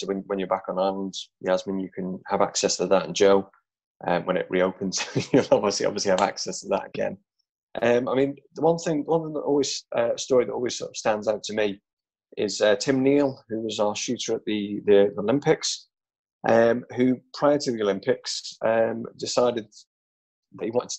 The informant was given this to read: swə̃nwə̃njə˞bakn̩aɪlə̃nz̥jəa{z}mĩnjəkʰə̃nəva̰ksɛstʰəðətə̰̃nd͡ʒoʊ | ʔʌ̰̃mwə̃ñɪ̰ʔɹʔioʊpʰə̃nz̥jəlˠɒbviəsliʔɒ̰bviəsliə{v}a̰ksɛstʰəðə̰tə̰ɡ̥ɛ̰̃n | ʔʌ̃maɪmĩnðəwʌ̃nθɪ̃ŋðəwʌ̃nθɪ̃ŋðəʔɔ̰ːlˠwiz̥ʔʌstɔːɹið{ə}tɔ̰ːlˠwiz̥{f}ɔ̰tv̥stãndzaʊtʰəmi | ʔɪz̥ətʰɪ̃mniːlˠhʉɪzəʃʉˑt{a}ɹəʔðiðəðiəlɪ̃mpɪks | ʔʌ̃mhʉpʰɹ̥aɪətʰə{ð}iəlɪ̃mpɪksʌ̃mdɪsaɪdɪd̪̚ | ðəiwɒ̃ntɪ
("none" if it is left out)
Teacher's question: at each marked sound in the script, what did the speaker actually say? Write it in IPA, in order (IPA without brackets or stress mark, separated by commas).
z, v, ə, s, ə, ð